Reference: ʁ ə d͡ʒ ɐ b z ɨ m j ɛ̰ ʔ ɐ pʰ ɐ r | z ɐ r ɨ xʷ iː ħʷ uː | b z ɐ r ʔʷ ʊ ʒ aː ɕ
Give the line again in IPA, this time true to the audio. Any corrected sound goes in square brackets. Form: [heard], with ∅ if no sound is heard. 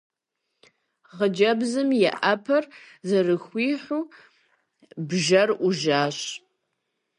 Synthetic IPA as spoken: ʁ ə d͡ʒ ɐ b z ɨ m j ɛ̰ ʔ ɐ pʰ ɐ r | z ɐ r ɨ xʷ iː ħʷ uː | b [ʒ] ɐ r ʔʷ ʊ ʒ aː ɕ

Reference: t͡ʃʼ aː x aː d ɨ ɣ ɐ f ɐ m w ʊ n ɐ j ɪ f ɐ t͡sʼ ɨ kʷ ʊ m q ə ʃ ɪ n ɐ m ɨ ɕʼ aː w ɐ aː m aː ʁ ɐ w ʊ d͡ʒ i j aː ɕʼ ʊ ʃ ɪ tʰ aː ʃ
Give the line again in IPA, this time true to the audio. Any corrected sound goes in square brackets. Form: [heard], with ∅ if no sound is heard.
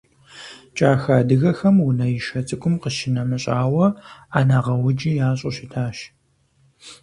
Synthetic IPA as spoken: t͡ʃʼ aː x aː d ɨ ɣ ɐ [x] ɐ m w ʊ n ɐ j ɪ [ʃ] ɐ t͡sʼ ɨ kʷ ʊ m q ə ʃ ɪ n ɐ m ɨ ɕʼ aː w ɐ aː [n] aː ʁ ɐ w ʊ d͡ʒ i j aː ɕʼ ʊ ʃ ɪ tʰ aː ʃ

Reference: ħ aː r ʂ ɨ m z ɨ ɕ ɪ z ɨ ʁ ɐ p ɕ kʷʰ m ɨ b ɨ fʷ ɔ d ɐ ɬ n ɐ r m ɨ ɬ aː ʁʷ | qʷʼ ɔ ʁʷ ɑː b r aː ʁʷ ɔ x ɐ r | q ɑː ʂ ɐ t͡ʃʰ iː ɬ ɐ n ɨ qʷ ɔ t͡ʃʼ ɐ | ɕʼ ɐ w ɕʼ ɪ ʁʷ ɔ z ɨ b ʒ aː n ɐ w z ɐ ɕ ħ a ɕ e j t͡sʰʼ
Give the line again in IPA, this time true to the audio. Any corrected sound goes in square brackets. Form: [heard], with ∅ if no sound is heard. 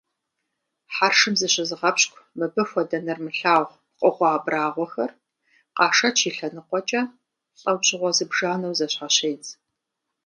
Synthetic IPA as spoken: ħ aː r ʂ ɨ m z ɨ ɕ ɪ z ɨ ʁ ɐ p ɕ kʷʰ m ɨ b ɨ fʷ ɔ d ɐ [∅] n ɐ r m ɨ ɬ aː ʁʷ | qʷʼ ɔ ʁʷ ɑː b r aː ʁʷ ɔ x ɐ r | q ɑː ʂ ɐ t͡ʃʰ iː ɬ ɐ n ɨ qʷ ɔ t͡ʃʼ ɐ | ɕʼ ɐ w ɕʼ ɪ ʁʷ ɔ z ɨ b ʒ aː n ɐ w z ɐ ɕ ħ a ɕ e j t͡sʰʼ

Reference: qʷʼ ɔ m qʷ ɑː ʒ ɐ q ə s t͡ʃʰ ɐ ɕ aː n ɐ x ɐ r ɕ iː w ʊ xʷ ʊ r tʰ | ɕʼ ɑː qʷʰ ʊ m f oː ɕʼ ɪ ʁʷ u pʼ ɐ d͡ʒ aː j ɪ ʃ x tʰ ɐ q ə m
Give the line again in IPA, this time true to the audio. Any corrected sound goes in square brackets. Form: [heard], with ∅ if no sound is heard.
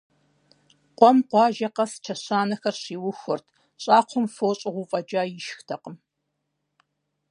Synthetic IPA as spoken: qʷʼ ɔ m qʷ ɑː ʒ ɐ q [ɐ] s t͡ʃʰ ɐ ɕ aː n ɐ x ɐ r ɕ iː w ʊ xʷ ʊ r tʰ | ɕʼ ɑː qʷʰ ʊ m f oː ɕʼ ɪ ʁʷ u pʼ ɐ d͡ʒ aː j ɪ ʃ x tʰ ɐ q ə m

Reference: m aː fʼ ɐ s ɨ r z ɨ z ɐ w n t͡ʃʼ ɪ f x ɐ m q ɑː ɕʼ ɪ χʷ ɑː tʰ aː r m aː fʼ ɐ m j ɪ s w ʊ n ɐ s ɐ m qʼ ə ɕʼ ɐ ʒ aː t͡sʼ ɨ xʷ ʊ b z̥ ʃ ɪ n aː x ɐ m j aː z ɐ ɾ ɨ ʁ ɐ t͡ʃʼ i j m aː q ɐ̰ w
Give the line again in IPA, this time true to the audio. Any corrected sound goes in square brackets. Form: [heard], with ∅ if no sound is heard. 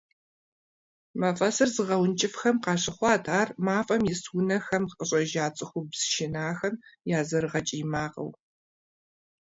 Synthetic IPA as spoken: m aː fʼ ɐ s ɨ r z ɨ [ʁ] ɐ w n t͡ʃʼ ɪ f x ɐ m q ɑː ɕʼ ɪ χʷ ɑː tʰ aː r m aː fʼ ɐ m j ɪ s w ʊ n ɐ [x] ɐ m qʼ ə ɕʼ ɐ ʒ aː t͡sʼ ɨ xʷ ʊ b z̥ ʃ ɪ n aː x ɐ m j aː z ɐ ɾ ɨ ʁ ɐ t͡ʃʼ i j m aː q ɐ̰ w

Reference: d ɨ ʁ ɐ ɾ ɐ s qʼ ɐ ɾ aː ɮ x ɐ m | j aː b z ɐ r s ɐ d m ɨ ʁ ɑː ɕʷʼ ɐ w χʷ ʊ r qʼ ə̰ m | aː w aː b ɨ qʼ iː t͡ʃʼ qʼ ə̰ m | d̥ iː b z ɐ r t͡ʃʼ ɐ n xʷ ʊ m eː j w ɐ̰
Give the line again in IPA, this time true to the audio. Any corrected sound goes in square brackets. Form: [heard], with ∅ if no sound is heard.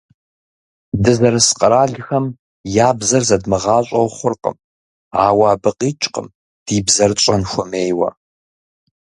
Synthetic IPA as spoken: d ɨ [z] ɐ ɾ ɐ s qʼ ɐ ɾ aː ɮ x ɐ m | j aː b z ɐ r [z] ɐ d m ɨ ʁ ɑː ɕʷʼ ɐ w χʷ ʊ r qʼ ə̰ m | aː w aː b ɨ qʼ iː t͡ʃʼ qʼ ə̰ m | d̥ iː b z ɐ r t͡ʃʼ ɐ n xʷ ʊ m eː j w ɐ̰

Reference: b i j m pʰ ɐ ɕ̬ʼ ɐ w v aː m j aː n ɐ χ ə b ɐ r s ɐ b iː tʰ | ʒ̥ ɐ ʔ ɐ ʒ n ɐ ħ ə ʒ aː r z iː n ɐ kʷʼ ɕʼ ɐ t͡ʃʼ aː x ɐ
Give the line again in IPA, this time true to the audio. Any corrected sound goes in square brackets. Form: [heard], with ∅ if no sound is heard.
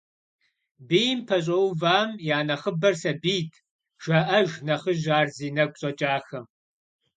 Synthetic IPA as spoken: b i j m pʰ ɐ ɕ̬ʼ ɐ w v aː m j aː n ɐ χ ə b ɐ r s ɐ b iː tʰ | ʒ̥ ɐ ʔ ɐ ʒ n ɐ [χ] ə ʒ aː r z iː n ɐ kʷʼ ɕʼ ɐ t͡ʃʼ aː x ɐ

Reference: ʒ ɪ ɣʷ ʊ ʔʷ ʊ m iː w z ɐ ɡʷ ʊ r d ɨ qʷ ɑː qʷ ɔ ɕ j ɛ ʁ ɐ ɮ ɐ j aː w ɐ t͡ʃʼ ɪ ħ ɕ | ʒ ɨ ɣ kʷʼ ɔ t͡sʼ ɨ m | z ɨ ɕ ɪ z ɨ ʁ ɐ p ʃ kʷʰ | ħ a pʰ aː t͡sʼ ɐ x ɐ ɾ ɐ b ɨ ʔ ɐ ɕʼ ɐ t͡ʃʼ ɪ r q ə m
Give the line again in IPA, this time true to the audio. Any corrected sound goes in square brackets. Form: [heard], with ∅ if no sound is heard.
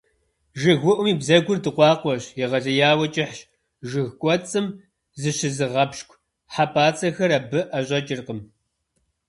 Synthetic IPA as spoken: ʒ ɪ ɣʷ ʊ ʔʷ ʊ m iː [b] z ɐ ɡʷ ʊ r d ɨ qʷ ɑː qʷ ɔ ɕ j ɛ ʁ ɐ ɮ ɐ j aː w ɐ t͡ʃʼ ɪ ħ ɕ | ʒ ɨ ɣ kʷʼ ɔ t͡sʼ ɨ m | z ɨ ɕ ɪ z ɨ ʁ ɐ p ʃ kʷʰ | ħ a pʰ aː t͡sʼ ɐ x ɐ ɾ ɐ b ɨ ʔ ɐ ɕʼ ɐ t͡ʃʼ ɪ r q ə m

